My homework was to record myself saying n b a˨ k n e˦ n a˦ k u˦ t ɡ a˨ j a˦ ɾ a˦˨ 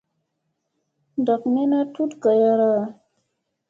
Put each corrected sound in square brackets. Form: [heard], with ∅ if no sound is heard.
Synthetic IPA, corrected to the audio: n [d] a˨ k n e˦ n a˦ [t] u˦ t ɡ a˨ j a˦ ɾ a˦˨